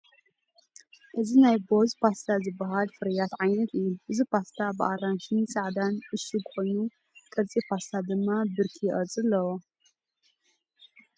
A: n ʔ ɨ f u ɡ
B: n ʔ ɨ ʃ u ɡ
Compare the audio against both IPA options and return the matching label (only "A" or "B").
B